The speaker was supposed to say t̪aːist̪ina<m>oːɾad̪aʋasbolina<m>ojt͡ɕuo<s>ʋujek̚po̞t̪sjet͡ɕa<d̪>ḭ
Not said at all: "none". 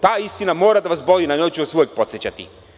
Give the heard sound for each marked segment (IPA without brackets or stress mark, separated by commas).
m, ɲ, s, t̪